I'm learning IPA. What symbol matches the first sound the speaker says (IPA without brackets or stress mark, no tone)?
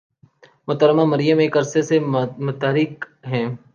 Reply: m